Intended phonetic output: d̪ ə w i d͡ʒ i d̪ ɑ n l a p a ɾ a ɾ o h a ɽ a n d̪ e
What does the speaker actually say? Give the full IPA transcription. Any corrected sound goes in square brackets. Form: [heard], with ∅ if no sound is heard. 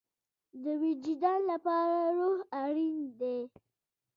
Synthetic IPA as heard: d̪ ə w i d͡ʒ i d̪ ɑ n l a p [ɑ] ɾ a ɾ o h a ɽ [i] n d̪ e